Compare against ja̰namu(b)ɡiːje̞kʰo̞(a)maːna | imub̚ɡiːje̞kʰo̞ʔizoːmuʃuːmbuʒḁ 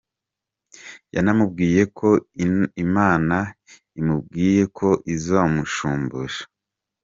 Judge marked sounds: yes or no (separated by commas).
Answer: yes, no